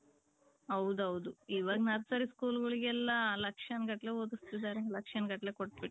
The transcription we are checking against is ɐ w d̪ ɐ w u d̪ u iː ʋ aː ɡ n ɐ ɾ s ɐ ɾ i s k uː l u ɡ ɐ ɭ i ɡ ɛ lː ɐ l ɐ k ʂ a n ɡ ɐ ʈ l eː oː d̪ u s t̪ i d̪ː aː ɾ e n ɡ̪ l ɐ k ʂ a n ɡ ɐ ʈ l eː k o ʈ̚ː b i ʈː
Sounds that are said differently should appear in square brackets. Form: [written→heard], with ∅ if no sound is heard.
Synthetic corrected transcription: ɐ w d̪ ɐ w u d̪ u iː ʋ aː ɡ n ɐ ɾ s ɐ ɾ i s k uː l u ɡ ɐ ɭ i ɡ ɛ lː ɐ l ɐ k ʂ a n ɡ ɐ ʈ l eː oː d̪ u s t̪ i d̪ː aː ɾ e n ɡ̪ l ɐ k ʂ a n ɡ ɐ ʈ l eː k o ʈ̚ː b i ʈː